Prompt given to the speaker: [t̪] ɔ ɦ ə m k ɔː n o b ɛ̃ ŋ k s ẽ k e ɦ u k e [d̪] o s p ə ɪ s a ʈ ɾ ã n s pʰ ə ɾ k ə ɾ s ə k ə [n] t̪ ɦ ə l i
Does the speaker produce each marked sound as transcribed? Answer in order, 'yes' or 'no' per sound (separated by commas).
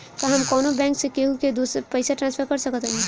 yes, yes, no